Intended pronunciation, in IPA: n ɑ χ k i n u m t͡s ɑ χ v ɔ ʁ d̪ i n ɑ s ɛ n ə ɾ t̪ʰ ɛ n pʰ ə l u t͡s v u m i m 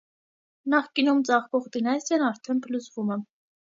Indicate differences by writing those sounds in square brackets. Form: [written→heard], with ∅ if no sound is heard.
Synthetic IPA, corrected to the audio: n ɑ χ k i n u m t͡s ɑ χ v ɔ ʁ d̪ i n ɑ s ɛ n [ə→ɑ] ɾ t̪ʰ ɛ n pʰ ə l u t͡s v u m [i→ɛ] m

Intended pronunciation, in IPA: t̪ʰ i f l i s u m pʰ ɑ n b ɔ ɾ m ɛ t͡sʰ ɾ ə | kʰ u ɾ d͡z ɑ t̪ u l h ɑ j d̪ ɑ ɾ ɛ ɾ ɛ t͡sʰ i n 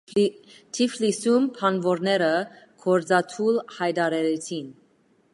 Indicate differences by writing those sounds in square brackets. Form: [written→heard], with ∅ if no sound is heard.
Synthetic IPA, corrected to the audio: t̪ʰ i f l i s u m pʰ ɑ n [b→v] ɔ ɾ [m→n] ɛ [t͡sʰ→∅] ɾ ə | kʰ [u→ɔ] ɾ d͡z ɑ [t̪→t̪ʰ] u l h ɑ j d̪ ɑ ɾ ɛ ɾ ɛ t͡sʰ i n

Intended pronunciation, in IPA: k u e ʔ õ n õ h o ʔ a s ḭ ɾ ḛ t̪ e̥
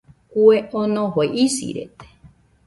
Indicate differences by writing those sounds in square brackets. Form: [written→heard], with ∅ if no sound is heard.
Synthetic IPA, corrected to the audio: k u e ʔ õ n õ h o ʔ [a→i] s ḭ ɾ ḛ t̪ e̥

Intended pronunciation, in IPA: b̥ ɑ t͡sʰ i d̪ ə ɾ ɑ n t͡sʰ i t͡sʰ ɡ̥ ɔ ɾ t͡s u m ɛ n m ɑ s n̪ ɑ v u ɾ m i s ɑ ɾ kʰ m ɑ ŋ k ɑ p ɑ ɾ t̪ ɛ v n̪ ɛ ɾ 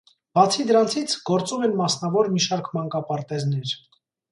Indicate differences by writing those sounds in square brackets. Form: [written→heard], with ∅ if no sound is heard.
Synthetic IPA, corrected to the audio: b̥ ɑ t͡sʰ i d̪ ə ɾ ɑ n t͡sʰ i t͡sʰ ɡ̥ ɔ ɾ t͡s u m ɛ n m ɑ s n̪ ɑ v [u→ɔ] ɾ m i [s→ʃ] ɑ ɾ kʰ m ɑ ŋ k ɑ p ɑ ɾ t̪ ɛ [v→z] n̪ ɛ ɾ

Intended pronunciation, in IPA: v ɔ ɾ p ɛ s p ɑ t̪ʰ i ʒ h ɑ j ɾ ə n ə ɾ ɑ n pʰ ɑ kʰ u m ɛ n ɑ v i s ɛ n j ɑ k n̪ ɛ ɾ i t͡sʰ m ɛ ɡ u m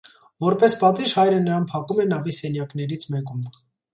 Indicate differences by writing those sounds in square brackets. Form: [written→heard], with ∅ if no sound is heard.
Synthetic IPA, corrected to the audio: v ɔ ɾ p ɛ s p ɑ [t̪ʰ→t̪] i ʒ h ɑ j ɾ ə n ə ɾ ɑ n pʰ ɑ [kʰ→k] u m ɛ n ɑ v i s ɛ n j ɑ k n̪ ɛ ɾ i t͡sʰ m ɛ [ɡ→k] u m

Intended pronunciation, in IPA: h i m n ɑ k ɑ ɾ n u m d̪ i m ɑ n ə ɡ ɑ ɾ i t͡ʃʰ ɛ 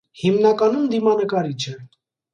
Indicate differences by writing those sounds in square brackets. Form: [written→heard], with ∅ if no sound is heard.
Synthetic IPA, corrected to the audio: h i m n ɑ k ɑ [ɾ→∅] n u m d̪ i m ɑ n ə [ɡ→k] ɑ ɾ i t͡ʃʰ ɛ

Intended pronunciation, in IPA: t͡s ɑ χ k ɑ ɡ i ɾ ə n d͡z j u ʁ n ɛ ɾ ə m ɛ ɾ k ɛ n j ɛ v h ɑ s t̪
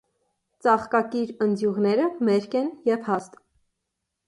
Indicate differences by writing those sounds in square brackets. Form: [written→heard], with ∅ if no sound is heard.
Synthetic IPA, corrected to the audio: t͡s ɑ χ k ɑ [ɡ→k] i ɾ ə n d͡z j u ʁ n ɛ ɾ ə m ɛ ɾ k ɛ n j ɛ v h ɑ s t̪

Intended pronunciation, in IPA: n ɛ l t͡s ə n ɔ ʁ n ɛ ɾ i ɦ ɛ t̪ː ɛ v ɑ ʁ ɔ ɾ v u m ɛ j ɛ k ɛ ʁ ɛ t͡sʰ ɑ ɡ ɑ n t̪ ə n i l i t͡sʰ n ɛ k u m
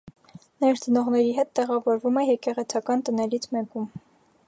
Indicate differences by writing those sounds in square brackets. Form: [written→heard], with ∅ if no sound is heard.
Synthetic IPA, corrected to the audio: n ɛ [l→ɾ] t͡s ə n ɔ ʁ n ɛ ɾ i ɦ ɛ t̪ː ɛ [v→ʁ] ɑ [ʁ→v] ɔ ɾ v u m ɛ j ɛ k ɛ ʁ ɛ t͡sʰ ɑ [ɡ→k] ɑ n t̪ ə n [i→ɛ] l i t͡sʰ [n→m] ɛ k u m

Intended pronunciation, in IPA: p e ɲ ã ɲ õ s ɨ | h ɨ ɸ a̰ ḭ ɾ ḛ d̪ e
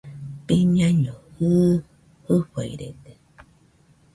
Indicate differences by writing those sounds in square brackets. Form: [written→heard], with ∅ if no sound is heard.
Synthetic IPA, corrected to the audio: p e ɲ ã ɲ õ [s→h] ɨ | h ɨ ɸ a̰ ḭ ɾ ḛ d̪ e

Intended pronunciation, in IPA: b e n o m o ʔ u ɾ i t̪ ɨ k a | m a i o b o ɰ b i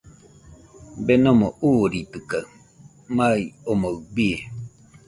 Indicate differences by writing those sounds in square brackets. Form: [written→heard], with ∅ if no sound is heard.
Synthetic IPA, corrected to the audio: b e n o m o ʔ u ɾ i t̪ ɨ k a | m a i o [b→m] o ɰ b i

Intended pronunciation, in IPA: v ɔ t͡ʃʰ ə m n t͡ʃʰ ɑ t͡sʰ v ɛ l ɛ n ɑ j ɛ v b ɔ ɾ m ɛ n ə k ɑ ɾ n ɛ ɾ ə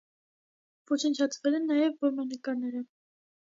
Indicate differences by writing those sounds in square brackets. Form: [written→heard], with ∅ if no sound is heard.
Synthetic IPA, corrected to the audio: v ɔ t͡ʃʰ ə [m→∅] n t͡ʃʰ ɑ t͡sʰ v ɛ l ɛ [n→nː] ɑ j ɛ v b ɔ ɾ m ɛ n ə k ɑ ɾ n ɛ ɾ ə

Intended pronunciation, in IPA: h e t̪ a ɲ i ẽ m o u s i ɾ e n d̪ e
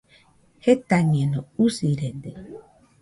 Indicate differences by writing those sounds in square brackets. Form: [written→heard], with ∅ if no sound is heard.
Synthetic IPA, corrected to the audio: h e t̪ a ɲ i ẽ [m→n] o u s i ɾ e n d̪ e

